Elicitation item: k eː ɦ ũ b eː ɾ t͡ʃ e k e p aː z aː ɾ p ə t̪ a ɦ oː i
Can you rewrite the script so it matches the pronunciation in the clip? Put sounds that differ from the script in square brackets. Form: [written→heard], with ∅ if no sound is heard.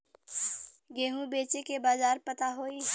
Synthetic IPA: [k→ɡ] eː ɦ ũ b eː [ɾ→∅] t͡ʃ e k e [p→b] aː z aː ɾ p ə t̪ a ɦ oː i